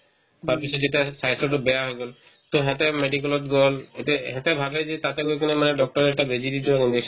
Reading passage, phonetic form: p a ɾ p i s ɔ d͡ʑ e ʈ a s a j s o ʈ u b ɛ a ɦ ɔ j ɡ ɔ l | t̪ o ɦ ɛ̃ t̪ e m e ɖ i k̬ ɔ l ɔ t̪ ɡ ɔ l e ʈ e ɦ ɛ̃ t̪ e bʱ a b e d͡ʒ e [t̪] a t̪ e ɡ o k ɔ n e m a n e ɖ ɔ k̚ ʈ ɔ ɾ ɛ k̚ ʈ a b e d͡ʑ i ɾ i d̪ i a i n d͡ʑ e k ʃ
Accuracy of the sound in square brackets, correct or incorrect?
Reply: correct